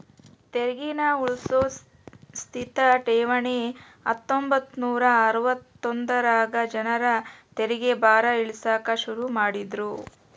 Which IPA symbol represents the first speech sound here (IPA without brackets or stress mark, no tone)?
t̪